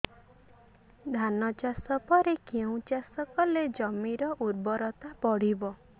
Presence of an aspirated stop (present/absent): absent